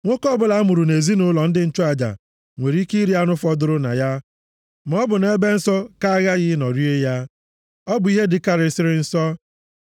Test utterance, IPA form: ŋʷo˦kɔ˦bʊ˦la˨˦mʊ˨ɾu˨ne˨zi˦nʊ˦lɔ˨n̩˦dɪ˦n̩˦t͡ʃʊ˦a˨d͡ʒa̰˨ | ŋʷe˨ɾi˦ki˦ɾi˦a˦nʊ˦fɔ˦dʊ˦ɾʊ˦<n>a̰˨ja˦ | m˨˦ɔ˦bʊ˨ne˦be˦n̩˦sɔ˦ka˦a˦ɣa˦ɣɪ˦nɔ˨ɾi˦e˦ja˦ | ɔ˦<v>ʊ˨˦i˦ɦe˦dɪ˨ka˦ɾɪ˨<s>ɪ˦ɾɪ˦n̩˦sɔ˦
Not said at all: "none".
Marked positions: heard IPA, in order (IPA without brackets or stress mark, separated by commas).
n, b, s